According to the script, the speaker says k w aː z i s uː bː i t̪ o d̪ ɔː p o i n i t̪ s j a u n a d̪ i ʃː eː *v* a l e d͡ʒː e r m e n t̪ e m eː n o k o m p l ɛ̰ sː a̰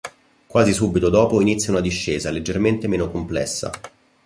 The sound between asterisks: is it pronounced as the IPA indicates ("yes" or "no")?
no